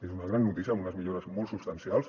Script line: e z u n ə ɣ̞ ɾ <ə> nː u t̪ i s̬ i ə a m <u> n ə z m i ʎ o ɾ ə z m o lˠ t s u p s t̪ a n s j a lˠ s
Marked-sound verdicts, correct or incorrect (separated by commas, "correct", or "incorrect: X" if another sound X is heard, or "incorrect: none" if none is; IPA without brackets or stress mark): incorrect: a, correct